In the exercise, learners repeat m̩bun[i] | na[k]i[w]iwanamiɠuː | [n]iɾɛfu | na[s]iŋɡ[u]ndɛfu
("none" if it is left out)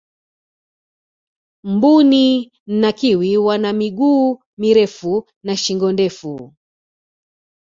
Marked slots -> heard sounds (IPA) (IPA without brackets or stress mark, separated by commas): i, k, w, m, ʃ, ɔ